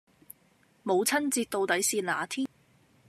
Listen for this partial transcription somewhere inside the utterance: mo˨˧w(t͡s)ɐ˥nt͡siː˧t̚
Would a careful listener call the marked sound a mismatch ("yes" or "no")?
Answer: yes